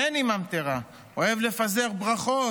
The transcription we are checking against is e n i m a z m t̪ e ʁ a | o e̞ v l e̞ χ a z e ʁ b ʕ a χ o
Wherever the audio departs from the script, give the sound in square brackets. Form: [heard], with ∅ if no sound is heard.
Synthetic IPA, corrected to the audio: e n i m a [∅] m t̪ e ʁ a | o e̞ v l e̞ [f] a z e ʁ b [ʁ] a χ o